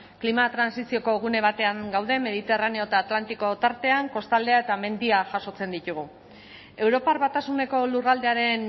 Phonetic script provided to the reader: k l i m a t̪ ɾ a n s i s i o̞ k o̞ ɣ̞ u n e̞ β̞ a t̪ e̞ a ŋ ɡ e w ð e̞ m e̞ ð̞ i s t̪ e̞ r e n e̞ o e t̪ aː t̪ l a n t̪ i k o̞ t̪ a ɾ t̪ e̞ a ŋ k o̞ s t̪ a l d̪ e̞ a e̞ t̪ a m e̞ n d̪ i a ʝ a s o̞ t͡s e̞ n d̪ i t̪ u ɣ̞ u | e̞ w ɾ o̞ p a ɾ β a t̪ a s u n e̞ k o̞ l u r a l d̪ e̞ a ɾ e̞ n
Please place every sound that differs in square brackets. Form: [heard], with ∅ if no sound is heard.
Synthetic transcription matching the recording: k l i m a t̪ ɾ a n s i s i o̞ k o̞ ɣ̞ u n e̞ β̞ a t̪ e̞ a ŋ ɡ [a] w ð e̞ m e̞ ð̞ i [∅] t̪ e̞ r [a] n e̞ o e t̪ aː t̪ l a n t̪ i k o̞ t̪ a ɾ t̪ e̞ a ŋ k o̞ s t̪ a l d̪ e̞ a e̞ t̪ a m e̞ n d̪ i a ʝ a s o̞ t͡s e̞ n d̪ i t̪ u ɣ̞ u | e̞ w ɾ o̞ p a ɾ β a t̪ a s u n e̞ k o̞ l u r a l d̪ e̞ a ɾ e̞ n